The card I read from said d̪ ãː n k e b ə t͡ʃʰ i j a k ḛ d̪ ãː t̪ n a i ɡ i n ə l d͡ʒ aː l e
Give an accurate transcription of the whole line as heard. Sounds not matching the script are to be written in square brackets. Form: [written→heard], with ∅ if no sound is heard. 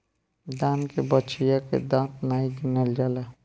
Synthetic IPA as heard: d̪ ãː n k e b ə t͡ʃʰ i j a k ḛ d̪ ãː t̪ n a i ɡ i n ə l d͡ʒ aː l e

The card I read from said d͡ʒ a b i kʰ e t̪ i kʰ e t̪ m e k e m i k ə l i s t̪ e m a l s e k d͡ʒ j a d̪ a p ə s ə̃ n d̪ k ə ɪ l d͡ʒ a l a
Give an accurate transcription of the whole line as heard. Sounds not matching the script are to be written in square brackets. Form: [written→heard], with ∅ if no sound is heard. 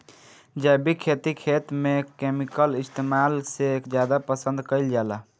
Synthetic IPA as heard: d͡ʒ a b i kʰ e t̪ i kʰ e t̪ m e k e m i k ə l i s t̪ e m a l s e k d͡ʒ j a d̪ a p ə s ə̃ n d̪ k ə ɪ l d͡ʒ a l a

